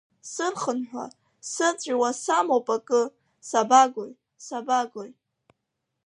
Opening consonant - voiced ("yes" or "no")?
no